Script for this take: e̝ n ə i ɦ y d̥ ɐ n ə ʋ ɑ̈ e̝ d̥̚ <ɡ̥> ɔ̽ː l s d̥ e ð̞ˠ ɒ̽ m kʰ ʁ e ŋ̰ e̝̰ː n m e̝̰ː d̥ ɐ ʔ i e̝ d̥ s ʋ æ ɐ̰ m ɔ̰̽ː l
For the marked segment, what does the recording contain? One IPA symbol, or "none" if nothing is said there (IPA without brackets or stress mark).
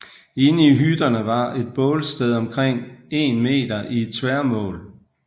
b̥